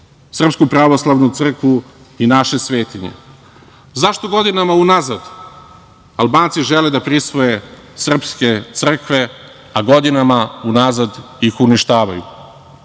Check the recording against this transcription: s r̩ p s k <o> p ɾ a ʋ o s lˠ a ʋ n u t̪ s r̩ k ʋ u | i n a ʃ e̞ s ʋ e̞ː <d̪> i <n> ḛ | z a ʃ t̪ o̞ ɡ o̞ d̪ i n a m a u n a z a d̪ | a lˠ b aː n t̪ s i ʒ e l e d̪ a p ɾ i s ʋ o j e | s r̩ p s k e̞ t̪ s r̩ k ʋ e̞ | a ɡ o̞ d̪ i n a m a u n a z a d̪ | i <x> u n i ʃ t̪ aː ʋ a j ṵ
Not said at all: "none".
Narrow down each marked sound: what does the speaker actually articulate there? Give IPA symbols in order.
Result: u, t̪, ɲ, x

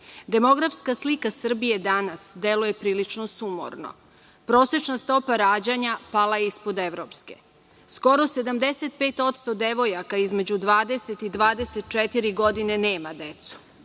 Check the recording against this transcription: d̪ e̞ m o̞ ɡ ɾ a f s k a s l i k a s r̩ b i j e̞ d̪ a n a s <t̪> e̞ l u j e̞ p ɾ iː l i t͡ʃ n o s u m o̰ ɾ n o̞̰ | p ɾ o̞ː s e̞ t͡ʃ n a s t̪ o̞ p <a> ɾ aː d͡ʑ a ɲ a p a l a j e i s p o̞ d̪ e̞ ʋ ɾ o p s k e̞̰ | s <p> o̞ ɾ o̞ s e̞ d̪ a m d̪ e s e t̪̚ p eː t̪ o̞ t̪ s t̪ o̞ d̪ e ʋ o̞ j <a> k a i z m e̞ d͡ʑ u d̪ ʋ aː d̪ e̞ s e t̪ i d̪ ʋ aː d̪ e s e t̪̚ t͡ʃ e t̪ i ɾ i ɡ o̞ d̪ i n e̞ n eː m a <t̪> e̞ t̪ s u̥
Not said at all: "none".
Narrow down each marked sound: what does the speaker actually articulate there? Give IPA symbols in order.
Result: d̪, a, k, a, d̪

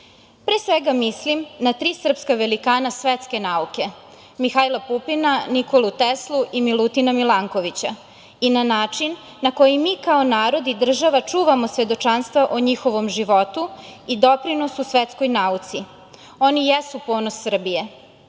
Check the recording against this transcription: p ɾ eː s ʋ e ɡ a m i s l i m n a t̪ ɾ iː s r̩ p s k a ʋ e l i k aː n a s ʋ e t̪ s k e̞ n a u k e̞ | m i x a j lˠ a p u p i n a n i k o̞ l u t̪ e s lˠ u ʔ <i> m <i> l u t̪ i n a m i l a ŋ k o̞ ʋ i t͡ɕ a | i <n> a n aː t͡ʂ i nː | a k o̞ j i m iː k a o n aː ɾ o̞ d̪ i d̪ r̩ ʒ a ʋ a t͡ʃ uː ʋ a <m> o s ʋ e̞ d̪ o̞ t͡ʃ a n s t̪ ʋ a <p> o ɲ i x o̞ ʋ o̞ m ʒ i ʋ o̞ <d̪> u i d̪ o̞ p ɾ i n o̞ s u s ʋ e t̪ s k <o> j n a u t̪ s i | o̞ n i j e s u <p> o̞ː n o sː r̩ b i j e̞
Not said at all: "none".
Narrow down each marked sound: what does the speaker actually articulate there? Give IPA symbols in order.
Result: i, i, n, m, ʔ, t̪, o, p

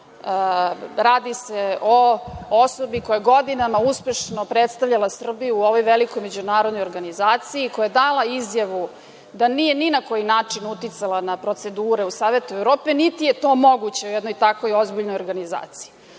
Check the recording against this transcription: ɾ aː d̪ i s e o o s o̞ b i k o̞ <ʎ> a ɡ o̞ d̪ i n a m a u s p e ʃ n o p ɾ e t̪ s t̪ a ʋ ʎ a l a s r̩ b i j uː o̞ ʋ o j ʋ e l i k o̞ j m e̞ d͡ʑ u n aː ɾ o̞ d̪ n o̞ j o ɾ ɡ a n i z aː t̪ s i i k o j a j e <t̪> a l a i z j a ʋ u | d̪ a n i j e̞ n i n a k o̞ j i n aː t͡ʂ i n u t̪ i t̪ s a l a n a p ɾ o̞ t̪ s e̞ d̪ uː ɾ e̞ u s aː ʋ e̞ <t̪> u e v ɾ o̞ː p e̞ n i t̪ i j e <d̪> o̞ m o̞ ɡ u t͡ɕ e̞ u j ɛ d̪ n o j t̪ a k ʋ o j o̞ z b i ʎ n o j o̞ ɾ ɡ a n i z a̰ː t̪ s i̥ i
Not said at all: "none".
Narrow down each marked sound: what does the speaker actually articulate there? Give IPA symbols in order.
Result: j, d̪, t̪, t̪

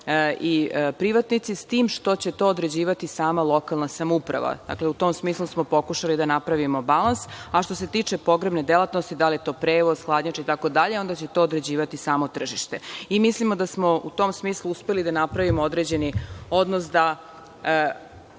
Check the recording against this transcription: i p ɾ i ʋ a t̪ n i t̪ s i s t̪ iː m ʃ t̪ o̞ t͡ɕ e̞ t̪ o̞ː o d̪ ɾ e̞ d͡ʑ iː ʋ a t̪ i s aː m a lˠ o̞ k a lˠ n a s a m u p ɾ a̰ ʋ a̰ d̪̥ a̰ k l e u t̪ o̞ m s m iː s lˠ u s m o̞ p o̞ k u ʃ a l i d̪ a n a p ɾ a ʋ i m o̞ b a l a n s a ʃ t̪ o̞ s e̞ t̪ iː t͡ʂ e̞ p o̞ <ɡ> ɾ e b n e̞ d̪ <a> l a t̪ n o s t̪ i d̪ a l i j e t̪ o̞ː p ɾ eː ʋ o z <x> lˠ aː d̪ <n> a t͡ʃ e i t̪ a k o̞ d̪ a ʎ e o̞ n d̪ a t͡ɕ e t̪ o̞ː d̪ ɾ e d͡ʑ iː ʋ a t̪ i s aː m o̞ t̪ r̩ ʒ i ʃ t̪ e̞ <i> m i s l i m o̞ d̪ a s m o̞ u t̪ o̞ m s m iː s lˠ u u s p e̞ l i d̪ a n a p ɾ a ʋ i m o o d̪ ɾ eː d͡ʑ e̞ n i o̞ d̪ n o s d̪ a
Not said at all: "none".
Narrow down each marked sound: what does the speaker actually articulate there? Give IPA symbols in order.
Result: ɡ, e, x, ɲ, i

